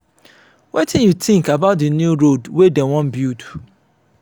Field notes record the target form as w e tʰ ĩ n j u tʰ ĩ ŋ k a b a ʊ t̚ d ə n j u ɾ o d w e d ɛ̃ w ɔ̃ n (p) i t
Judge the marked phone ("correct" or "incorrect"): incorrect